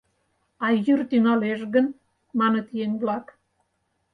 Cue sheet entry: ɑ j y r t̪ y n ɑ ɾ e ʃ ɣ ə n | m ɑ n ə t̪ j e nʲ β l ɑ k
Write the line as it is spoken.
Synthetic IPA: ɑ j y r t̪ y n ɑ l e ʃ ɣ ə n | m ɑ n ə t̪ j e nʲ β l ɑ k